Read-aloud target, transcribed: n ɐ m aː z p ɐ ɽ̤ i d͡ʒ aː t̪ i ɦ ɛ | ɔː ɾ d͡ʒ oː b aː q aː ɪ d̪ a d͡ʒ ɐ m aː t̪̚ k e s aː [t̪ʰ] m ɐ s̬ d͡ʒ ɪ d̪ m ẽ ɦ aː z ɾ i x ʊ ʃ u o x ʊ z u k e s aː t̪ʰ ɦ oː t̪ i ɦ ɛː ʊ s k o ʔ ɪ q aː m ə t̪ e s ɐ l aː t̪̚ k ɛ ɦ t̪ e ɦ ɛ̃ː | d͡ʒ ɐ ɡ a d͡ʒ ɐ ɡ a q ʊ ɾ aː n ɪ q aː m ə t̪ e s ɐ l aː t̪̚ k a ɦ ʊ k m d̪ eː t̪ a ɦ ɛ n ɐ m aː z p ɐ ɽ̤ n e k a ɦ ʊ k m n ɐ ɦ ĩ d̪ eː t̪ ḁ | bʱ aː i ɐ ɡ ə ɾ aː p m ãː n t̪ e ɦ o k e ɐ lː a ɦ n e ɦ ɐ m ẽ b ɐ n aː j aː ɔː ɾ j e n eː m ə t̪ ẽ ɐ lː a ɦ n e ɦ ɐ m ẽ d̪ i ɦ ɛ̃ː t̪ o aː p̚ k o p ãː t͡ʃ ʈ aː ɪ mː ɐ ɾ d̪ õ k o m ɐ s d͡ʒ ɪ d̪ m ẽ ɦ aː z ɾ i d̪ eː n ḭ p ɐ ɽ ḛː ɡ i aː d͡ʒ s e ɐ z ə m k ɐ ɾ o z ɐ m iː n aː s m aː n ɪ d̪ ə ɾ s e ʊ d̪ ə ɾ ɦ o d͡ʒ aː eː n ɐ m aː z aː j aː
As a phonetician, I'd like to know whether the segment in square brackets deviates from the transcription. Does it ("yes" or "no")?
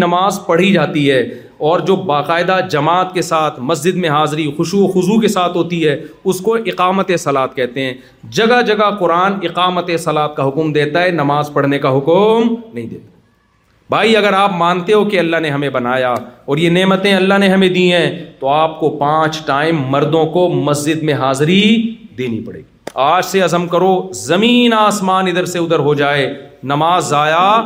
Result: no